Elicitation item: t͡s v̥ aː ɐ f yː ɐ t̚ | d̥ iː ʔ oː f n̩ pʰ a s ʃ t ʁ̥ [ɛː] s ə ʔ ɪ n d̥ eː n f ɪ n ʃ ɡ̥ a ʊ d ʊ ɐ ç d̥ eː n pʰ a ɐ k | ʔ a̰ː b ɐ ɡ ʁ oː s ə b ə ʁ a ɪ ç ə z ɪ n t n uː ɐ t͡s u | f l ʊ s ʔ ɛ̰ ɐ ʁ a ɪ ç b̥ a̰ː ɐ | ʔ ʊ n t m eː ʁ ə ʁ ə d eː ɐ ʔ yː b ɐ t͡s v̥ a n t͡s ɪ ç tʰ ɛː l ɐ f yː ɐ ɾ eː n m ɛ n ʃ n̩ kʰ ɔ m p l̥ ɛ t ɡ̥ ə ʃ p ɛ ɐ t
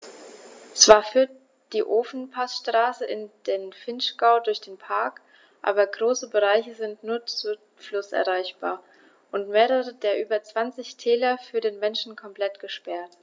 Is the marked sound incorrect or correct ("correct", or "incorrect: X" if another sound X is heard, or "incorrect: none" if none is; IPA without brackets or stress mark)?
incorrect: aː